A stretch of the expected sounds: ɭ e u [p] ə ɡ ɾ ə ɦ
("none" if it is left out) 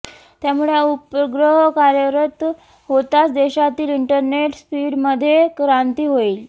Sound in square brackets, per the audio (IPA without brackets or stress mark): p